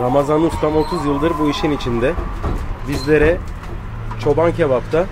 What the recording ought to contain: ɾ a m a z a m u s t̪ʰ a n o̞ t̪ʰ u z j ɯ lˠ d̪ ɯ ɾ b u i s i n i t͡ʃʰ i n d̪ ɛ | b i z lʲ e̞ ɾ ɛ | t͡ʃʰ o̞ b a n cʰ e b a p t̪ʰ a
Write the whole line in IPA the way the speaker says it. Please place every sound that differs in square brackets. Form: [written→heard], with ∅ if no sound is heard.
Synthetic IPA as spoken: ɾ a m a z a [m→n] u s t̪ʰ a [n→m] o̞ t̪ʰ u z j ɯ lˠ d̪ ɯ ɾ b u i [s→ʃ] i n i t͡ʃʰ i n d̪ ɛ | b i z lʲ e̞ ɾ ɛ | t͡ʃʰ o̞ b a n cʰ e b a p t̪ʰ a